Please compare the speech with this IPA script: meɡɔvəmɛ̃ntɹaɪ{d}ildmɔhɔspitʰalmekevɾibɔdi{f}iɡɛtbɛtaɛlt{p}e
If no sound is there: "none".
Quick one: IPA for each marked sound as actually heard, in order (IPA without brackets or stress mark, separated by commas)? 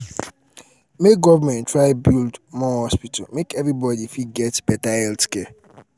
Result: b, f, k